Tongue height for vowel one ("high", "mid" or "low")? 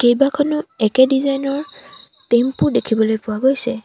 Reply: mid